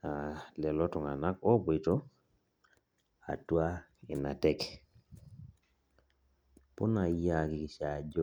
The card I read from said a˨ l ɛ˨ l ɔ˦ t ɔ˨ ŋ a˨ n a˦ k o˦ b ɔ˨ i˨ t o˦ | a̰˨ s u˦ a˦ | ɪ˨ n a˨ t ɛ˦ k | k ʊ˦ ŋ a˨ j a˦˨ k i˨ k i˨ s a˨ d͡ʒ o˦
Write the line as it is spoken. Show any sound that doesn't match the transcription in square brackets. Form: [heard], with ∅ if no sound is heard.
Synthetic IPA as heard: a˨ l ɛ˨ l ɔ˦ t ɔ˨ ŋ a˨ n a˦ k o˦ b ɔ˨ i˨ t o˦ | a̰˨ [t] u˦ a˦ | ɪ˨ n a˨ t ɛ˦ k | [p] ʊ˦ [n] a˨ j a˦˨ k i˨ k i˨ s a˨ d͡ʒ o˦